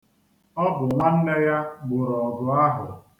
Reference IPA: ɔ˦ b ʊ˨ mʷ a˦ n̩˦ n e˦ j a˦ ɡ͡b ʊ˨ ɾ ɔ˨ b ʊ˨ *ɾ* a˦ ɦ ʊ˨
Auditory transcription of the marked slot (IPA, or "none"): none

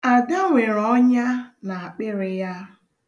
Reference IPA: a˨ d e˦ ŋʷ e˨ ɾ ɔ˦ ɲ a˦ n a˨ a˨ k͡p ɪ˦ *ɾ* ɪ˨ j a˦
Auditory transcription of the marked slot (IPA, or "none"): ɾ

